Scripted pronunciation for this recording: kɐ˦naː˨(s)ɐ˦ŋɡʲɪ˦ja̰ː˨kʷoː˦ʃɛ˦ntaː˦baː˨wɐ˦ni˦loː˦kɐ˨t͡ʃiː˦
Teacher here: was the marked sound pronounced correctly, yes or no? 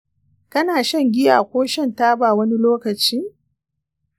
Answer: no